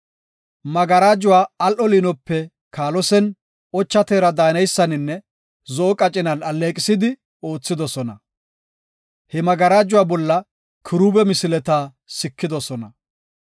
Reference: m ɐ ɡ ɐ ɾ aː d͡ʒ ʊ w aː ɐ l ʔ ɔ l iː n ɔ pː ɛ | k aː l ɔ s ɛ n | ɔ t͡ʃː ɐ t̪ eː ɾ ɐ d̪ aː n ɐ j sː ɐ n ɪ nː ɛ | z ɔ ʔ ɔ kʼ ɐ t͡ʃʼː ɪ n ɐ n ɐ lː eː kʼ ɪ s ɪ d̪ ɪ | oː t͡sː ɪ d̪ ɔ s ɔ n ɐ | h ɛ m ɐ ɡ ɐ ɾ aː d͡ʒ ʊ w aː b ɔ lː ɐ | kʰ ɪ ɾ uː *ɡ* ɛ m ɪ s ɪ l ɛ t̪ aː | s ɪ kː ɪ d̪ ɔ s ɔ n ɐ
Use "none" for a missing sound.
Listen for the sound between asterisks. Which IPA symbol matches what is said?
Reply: b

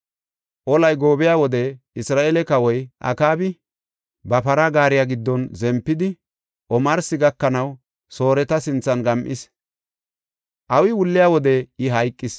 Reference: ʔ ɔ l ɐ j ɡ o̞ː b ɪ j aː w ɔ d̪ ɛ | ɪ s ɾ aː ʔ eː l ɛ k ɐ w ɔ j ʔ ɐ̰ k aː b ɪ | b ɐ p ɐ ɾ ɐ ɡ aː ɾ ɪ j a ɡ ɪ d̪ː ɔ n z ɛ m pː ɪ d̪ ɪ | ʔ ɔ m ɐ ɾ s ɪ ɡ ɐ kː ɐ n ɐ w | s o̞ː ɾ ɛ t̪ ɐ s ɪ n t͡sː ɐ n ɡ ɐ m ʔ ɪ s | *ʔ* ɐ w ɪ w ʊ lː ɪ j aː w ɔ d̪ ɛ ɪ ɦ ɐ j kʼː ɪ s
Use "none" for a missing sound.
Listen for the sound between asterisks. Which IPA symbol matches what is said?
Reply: ʔ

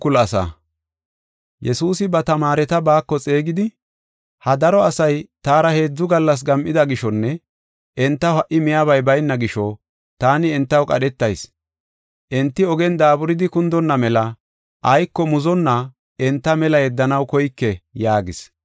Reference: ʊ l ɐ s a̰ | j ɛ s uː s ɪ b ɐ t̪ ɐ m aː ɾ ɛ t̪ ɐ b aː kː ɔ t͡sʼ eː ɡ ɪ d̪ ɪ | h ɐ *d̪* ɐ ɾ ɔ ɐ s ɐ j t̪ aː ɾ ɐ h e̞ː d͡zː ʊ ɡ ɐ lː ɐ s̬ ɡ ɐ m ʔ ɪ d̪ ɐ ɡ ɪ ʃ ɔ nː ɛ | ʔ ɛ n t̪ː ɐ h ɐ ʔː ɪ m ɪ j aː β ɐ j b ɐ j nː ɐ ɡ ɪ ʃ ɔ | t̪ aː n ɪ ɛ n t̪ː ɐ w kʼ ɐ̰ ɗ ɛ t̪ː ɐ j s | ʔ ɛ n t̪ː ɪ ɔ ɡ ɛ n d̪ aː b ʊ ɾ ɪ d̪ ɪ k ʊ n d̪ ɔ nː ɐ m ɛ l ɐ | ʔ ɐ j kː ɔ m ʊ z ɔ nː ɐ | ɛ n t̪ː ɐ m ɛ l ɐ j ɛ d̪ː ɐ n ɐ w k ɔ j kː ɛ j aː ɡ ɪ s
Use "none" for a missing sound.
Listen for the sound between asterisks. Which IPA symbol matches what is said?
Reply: d̪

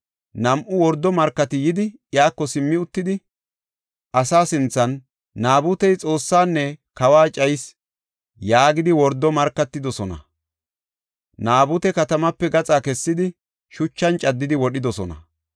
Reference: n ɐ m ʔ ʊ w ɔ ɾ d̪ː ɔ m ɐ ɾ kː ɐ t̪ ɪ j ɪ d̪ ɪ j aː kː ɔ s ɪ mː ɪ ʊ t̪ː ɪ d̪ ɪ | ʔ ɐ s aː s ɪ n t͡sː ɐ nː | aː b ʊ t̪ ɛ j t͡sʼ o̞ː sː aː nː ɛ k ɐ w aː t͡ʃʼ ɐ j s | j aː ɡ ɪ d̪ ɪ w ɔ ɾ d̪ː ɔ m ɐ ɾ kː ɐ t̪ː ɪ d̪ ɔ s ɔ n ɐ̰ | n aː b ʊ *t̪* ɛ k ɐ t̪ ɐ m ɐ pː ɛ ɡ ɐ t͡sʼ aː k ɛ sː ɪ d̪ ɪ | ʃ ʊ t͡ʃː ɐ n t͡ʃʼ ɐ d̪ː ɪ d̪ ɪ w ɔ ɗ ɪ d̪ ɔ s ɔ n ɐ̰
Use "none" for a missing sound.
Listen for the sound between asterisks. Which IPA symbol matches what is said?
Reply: t̪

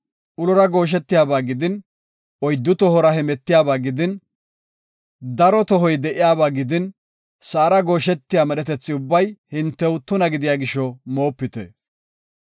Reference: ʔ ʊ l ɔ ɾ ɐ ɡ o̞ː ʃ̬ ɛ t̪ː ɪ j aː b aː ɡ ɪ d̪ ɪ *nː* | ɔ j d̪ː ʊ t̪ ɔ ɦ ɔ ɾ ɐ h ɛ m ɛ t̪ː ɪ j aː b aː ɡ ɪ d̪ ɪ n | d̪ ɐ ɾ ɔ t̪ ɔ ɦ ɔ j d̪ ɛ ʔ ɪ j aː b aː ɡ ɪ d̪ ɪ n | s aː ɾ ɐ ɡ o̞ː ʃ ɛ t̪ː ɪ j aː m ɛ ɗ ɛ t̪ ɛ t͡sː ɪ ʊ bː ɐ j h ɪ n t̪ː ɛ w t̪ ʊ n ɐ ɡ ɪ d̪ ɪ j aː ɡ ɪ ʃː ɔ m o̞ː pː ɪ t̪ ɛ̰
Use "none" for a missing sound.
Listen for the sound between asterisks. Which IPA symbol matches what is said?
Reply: n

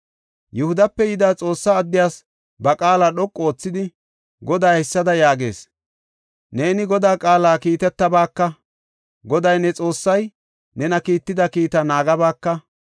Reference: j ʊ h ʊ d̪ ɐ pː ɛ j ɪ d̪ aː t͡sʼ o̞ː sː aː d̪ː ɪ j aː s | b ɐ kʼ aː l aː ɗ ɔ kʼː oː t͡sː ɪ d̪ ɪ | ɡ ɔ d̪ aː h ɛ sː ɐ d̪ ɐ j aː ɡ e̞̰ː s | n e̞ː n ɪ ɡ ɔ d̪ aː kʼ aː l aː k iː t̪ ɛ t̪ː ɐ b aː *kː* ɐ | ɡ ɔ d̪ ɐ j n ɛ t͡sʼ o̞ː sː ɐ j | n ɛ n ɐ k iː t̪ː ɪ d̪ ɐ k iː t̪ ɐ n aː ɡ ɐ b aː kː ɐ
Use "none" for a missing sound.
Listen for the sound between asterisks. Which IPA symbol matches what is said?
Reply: kː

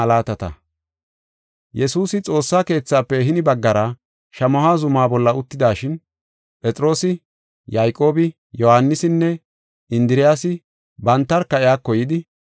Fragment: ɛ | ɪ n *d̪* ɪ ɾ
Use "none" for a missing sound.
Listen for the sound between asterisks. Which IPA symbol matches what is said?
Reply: d̪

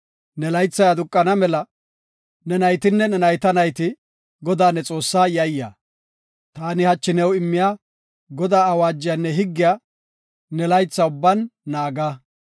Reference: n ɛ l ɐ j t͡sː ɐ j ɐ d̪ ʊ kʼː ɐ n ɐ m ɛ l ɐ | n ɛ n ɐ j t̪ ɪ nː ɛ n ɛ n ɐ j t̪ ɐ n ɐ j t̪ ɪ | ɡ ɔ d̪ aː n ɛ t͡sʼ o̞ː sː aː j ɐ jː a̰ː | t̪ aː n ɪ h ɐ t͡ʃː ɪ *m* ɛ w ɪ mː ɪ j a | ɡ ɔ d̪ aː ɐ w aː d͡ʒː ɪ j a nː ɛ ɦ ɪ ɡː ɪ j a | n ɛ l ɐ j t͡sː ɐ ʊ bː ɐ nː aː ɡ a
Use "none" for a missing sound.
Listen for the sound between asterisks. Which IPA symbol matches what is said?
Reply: n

